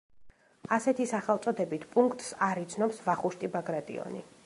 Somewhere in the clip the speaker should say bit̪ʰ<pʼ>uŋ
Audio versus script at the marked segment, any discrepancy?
no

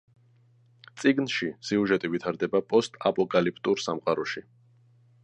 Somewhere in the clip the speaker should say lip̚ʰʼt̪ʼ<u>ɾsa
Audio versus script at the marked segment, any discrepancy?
no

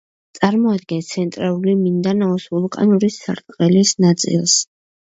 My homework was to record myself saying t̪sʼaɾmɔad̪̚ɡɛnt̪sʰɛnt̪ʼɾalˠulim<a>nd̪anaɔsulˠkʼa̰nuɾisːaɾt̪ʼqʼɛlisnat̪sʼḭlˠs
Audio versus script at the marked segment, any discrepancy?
yes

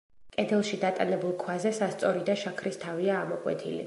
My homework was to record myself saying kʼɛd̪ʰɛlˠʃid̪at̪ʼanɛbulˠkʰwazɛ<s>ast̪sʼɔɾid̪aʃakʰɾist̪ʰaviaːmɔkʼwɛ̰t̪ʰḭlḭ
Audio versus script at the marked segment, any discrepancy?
no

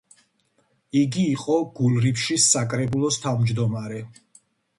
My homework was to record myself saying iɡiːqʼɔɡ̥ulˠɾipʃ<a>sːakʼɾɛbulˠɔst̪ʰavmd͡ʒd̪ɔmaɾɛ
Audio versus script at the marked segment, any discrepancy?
yes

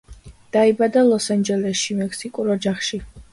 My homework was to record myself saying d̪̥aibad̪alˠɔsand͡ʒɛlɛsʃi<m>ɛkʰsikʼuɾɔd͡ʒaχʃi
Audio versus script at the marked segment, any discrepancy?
no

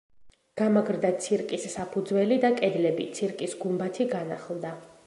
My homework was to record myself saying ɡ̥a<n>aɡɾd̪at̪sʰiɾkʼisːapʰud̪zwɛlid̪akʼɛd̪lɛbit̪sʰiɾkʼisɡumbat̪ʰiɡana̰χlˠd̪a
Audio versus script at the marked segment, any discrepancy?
yes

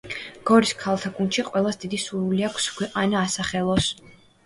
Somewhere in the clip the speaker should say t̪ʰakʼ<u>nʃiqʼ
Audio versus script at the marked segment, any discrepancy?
no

